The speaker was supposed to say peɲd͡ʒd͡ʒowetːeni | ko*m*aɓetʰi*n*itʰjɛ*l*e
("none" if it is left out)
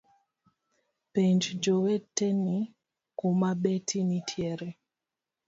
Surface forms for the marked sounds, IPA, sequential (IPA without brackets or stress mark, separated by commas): m, n, ɾ